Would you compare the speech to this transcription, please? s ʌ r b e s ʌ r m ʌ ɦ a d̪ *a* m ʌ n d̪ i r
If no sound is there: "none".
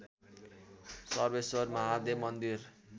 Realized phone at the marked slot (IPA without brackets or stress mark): e